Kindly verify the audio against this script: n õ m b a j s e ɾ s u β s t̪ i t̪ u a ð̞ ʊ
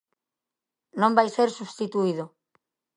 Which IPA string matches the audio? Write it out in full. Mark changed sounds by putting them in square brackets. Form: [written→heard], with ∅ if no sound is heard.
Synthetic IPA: n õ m b a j s e ɾ s u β s t̪ i t̪ u [a→i] ð̞ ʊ